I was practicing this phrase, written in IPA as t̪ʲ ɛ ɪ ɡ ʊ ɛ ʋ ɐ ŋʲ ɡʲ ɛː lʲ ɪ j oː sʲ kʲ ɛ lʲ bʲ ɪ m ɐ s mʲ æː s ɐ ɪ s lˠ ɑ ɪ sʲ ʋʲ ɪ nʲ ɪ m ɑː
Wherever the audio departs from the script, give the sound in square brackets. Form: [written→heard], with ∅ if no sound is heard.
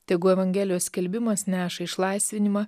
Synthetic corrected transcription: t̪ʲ ɛ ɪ ɡ ʊ ɛ ʋ ɐ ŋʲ ɡʲ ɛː lʲ ɪ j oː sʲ kʲ ɛ lʲ bʲ ɪ m ɐ s [mʲ→nʲ] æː [s→ʃ] ɐ ɪ [s→ʃ] lˠ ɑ ɪ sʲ ʋʲ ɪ nʲ ɪ m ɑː